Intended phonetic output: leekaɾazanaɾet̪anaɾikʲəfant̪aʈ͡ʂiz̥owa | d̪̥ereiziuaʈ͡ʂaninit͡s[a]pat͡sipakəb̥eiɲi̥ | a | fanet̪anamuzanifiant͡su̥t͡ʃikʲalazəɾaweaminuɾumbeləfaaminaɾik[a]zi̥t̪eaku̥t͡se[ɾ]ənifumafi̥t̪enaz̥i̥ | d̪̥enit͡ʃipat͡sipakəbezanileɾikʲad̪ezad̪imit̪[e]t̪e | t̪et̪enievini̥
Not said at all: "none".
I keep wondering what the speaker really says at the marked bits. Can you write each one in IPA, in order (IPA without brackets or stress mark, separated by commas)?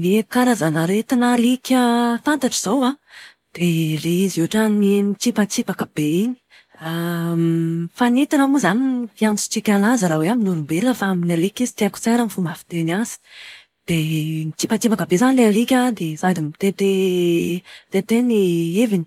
i, i, ɾ, e